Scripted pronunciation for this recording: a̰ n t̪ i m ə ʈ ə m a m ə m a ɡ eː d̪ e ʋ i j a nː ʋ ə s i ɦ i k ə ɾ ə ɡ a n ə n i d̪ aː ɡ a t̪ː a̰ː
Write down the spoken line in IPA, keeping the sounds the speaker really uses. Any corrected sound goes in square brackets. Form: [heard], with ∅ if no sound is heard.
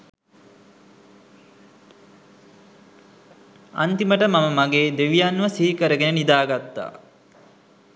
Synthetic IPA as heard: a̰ n t̪ i m ə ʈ ə m a m ə m a ɡ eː d̪ e ʋ i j a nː ʋ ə s i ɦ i k ə ɾ ə ɡ [e] n ə n i d̪ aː ɡ a t̪ː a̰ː